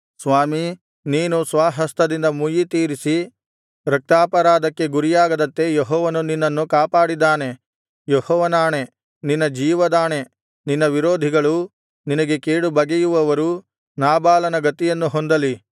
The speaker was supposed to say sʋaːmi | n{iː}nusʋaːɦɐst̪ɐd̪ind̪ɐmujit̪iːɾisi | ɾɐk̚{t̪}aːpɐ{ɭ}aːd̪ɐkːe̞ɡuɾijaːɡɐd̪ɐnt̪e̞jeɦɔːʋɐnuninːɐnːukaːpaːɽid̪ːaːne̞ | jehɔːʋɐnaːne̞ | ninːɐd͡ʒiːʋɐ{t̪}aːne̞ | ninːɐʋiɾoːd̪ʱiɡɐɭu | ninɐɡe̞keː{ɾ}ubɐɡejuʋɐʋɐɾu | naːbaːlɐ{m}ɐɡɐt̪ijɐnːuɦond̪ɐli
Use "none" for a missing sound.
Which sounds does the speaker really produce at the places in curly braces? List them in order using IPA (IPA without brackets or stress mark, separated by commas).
iː, t̪, ɾ, d̪, ɽ, n